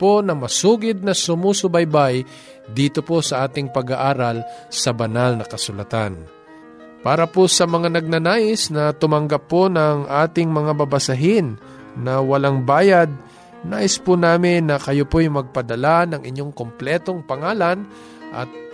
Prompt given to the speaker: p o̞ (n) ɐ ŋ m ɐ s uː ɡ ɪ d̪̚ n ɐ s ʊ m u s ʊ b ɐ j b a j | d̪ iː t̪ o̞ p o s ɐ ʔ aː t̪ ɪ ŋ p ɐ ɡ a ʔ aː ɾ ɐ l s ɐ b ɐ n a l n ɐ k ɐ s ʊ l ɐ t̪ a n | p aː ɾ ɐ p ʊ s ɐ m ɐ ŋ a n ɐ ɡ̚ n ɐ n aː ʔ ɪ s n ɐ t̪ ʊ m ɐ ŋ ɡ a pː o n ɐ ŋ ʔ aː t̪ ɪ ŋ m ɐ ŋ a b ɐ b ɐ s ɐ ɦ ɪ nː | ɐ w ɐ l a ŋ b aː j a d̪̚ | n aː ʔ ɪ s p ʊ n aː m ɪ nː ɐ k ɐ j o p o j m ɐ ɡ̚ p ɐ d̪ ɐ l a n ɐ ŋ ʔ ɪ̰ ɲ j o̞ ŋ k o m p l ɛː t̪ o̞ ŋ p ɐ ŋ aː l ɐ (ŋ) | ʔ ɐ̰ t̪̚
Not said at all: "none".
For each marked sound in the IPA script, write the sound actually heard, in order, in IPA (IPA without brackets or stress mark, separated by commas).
n, n